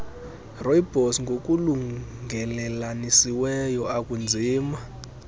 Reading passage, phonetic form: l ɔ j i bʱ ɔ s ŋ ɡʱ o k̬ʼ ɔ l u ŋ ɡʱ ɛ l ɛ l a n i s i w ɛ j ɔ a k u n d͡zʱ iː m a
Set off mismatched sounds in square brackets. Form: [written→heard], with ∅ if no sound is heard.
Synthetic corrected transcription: [l→r] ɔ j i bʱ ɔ s ŋ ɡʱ o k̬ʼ [ɔ→u] l u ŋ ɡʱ ɛ l ɛ l a n i s i w ɛ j ɔ a k u n d͡zʱ iː m a